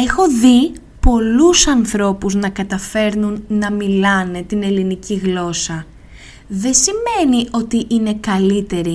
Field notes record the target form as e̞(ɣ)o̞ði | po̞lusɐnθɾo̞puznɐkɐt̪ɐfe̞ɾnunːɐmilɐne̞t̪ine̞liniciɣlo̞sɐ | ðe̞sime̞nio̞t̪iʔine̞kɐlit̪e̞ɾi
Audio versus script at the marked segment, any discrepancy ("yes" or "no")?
yes